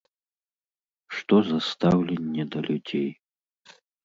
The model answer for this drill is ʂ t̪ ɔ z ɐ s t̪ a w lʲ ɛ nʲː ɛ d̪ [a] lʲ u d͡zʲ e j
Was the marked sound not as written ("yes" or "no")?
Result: yes